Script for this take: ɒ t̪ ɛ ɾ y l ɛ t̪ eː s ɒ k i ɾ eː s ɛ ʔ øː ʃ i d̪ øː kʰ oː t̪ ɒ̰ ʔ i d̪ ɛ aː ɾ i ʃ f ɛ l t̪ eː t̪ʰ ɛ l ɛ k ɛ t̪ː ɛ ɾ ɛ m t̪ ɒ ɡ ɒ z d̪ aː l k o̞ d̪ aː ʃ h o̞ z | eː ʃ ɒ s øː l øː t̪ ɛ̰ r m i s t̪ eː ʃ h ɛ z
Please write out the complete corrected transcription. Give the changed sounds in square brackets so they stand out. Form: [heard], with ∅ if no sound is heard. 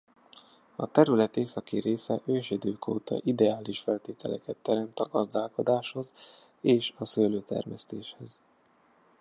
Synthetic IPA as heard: ɒ t̪ ɛ ɾ y l ɛ t̪ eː s ɒ k i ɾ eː s ɛ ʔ øː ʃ i d̪ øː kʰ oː t̪ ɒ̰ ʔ i d̪ ɛ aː [l] i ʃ f ɛ l t̪ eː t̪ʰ ɛ l ɛ k ɛ t̪ː ɛ ɾ ɛ m t̪ ɒ ɡ ɒ z d̪ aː l k o̞ d̪ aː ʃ h o̞ z | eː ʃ ɒ s øː l øː t̪ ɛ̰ r m [ɛ] s t̪ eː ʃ h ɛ z